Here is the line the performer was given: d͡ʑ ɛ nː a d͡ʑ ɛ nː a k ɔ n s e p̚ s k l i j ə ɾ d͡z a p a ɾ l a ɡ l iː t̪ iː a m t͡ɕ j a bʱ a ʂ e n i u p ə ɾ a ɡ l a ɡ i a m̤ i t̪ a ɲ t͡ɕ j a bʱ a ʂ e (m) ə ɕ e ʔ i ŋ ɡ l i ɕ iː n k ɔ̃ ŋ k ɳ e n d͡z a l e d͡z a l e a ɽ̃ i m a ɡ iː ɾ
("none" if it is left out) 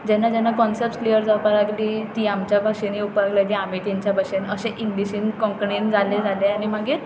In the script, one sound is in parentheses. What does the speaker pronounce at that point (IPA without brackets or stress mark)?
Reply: n